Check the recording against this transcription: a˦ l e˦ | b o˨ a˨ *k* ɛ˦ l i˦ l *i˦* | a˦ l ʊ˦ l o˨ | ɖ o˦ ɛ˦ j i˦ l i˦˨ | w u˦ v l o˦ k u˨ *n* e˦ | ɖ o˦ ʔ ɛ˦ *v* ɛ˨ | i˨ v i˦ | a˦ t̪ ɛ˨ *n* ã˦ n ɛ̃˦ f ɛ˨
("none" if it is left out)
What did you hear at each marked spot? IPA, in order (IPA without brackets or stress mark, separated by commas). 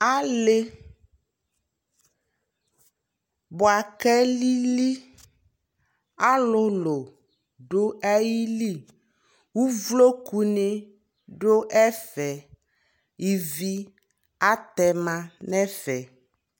k, i˦, n, f, m